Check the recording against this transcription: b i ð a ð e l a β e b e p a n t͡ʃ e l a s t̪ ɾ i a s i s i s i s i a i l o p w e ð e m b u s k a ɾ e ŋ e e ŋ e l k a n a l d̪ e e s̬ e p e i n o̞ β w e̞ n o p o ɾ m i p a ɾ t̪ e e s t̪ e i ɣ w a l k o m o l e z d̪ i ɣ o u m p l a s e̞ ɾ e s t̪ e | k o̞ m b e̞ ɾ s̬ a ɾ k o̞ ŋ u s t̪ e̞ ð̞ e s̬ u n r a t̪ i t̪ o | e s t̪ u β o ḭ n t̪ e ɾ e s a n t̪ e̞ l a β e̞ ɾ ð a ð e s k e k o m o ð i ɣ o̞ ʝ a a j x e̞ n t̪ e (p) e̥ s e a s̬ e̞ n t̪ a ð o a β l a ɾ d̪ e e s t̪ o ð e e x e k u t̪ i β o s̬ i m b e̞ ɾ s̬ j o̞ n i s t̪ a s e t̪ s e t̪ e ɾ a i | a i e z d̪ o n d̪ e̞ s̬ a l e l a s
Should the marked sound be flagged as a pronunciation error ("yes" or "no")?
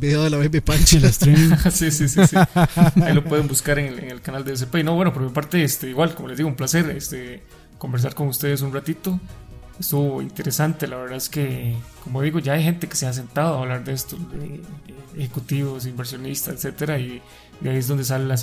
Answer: yes